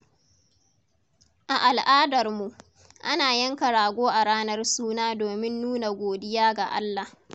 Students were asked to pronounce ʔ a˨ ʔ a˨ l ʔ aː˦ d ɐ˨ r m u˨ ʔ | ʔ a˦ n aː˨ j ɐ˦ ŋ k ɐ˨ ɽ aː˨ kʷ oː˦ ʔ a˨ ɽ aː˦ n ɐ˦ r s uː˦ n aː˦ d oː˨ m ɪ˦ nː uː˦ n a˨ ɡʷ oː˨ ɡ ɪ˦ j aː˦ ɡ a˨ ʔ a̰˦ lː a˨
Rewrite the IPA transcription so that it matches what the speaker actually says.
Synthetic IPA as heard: ʔ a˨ ʔ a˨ l ʔ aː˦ d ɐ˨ r m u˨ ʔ | ʔ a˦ n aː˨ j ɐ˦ ŋ k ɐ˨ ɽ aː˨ ɡʷ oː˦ ʔ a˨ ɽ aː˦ n ɐ˦ r s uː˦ n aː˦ d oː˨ m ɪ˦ nː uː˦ n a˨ ɡʷ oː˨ d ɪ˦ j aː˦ ɡ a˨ ʔ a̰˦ lː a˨